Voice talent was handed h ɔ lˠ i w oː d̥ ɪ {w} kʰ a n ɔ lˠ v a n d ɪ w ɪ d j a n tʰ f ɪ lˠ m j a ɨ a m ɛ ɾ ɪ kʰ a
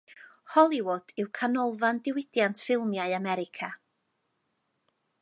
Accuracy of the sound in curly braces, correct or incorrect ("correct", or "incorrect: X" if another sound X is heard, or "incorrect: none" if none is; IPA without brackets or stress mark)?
correct